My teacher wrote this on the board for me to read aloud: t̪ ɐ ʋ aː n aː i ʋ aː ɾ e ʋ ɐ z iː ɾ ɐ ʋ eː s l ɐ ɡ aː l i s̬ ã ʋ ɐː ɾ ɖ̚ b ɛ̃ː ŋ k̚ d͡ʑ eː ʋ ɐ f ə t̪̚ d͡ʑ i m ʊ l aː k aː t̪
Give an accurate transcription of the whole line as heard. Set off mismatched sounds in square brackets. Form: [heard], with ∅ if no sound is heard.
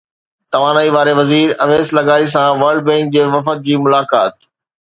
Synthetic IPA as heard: t̪ ɐ ʋ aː n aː i ʋ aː ɾ e ʋ ɐ z iː ɾ ɐ ʋ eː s l ɐ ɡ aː [ɾ] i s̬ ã ʋ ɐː ɾ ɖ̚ b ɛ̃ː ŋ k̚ d͡ʑ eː ʋ ɐ f ə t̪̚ d͡ʑ [iː] m ʊ l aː k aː t̪